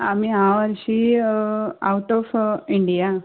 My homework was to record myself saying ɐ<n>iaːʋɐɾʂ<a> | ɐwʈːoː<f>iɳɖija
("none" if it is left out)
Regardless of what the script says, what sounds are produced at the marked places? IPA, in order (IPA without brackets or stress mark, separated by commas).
m, i, f